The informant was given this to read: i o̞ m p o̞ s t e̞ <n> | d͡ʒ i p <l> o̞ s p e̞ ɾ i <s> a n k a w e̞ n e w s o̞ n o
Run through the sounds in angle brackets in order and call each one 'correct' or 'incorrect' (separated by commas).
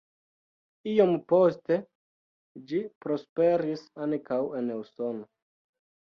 incorrect, incorrect, correct